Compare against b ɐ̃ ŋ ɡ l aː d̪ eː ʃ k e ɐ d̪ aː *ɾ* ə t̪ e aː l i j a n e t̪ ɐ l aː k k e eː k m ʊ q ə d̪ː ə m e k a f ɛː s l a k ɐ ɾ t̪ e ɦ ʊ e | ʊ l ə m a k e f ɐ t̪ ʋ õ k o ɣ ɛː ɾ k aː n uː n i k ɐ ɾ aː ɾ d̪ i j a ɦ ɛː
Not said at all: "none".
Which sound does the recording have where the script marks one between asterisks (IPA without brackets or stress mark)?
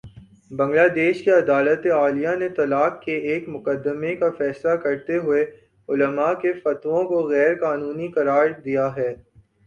l